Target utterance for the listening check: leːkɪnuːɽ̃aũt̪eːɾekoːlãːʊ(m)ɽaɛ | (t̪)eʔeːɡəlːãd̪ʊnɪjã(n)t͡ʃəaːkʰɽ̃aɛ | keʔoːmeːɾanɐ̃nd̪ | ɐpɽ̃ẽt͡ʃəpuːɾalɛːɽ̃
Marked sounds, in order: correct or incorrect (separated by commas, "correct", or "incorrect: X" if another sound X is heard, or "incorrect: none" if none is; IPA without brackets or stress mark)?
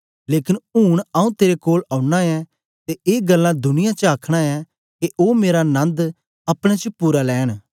incorrect: none, correct, incorrect: none